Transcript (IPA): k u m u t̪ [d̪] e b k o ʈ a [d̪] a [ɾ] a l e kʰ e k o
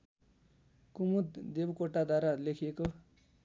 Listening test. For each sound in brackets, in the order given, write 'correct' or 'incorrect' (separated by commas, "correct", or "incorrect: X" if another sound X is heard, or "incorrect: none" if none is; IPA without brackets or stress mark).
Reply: correct, correct, correct